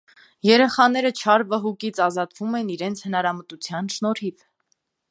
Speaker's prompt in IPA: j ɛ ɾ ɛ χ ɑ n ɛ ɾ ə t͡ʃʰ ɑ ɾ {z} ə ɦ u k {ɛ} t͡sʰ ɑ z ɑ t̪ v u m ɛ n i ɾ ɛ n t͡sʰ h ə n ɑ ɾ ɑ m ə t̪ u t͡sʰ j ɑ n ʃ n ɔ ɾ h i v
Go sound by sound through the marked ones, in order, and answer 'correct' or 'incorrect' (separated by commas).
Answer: incorrect, incorrect